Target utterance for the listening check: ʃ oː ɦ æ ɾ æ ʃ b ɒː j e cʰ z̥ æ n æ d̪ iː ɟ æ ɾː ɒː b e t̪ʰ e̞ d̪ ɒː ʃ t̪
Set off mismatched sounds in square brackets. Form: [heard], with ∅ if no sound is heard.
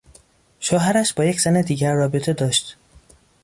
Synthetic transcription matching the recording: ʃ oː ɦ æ ɾ æ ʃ b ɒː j e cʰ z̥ æ n [e] d̪ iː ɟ æ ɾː ɒː b e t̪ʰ e̞ d̪ ɒː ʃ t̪